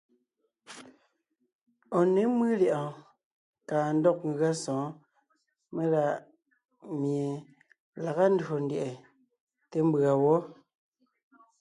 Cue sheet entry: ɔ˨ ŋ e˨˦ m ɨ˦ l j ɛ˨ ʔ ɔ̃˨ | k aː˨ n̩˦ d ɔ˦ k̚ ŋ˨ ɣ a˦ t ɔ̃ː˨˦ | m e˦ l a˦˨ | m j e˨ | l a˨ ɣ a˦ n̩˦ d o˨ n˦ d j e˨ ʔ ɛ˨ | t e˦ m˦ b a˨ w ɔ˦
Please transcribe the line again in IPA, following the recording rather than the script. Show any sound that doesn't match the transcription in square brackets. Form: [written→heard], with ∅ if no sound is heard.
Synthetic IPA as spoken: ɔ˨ [ŋ→n] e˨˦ m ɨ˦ l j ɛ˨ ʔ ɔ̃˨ | k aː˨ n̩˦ d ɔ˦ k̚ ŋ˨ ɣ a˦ [t→s] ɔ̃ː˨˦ | m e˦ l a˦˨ | m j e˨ | l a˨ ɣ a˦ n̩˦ d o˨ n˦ d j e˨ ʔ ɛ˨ | t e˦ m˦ b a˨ w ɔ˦